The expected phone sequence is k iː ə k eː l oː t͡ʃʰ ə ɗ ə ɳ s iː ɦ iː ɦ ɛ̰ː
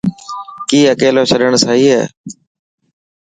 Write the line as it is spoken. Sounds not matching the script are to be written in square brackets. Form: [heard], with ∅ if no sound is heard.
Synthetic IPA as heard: k iː ə k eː l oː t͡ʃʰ ə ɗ ə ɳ s [aː] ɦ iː ɦ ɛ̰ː